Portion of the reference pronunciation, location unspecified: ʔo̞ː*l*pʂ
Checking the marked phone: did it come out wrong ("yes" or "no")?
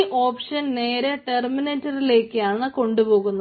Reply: yes